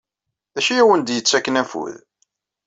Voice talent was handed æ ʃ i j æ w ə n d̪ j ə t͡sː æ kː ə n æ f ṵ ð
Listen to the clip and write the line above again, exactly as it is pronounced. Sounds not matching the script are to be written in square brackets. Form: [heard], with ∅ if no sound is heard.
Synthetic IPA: æ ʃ i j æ w ə n d̪ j ə t͡sː æ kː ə n æ f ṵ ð

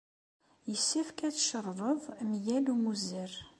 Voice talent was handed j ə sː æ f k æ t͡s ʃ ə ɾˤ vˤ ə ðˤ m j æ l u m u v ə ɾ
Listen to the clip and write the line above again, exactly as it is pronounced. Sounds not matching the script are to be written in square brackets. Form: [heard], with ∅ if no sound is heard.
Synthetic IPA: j ə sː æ f k æ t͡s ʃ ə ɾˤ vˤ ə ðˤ m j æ l u m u [z] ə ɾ

